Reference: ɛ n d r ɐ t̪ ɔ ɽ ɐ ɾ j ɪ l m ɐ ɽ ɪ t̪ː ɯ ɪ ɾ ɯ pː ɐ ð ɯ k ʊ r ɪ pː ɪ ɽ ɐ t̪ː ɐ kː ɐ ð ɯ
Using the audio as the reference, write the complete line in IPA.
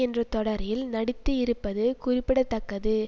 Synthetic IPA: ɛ n d r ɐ t̪ ɔ ɽ ɐ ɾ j ɪ l n ɐ ɽ ɪ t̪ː ɯ ɪ ɾ ɯ pː ɐ ð ɯ k ʊ r ɪ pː ɪ ɽ ɐ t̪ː ɐ kː ɐ ð ɯ